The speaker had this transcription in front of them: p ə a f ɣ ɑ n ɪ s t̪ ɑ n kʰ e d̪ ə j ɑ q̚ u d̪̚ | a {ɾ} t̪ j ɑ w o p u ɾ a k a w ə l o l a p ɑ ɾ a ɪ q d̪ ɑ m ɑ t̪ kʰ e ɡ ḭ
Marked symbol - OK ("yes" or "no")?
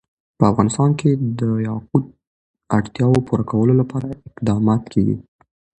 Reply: no